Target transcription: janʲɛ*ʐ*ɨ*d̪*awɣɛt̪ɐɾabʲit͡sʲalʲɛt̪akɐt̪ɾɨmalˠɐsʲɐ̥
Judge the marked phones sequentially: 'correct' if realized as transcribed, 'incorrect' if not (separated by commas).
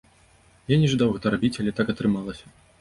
correct, correct